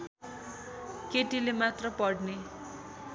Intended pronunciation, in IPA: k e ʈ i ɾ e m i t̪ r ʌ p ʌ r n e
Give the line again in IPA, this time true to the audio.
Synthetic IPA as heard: k e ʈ i l e m a t̪ r ʌ p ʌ ɽ n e